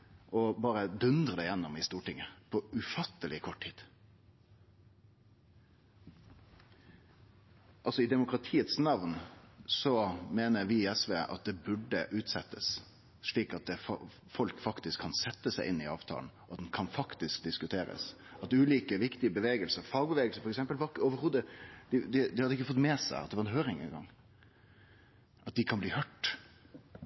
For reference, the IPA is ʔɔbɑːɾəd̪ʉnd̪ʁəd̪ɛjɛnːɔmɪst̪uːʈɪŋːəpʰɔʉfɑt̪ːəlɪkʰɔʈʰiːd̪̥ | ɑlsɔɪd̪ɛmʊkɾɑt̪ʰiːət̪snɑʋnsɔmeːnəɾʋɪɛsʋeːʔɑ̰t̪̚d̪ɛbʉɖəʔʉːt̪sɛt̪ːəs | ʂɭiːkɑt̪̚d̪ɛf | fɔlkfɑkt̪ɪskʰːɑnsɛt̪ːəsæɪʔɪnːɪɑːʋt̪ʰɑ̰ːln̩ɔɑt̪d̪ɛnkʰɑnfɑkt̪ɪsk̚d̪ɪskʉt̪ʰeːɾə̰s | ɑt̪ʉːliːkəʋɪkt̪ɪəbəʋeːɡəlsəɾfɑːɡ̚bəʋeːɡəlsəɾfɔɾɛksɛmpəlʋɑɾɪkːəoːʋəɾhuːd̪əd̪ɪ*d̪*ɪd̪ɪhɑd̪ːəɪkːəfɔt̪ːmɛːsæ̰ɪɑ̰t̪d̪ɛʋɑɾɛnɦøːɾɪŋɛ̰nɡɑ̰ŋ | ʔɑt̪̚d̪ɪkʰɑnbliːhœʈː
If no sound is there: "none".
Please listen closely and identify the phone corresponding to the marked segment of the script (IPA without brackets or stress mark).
d̪